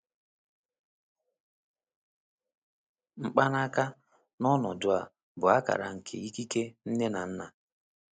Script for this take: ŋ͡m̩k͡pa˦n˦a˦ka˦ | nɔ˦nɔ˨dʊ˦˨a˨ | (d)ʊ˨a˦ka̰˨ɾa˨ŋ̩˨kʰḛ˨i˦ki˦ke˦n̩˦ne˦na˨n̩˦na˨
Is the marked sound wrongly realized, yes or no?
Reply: yes